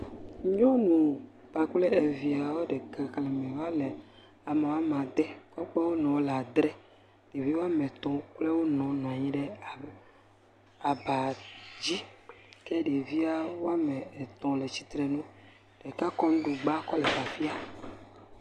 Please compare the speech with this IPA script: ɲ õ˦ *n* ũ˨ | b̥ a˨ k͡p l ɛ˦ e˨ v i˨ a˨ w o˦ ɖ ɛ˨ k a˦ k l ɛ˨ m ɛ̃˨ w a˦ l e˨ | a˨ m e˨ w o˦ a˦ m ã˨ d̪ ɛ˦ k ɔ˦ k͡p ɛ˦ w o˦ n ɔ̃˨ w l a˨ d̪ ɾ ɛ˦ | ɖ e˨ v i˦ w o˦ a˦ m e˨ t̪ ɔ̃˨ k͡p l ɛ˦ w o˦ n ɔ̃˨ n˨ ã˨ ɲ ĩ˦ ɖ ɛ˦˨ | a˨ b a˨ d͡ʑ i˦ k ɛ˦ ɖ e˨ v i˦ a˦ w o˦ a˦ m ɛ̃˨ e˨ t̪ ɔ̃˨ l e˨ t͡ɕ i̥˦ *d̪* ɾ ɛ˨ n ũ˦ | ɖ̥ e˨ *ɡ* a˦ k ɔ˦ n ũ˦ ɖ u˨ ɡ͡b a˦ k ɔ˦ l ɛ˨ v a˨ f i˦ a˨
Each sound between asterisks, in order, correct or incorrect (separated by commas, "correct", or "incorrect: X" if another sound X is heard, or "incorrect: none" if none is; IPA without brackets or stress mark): correct, incorrect: t̪, incorrect: k